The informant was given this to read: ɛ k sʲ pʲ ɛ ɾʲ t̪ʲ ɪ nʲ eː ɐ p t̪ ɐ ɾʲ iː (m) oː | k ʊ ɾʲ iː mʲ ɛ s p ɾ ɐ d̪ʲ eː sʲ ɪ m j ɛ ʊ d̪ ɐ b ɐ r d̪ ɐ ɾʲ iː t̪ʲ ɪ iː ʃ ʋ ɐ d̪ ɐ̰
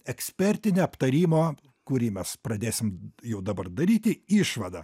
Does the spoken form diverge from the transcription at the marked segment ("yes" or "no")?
no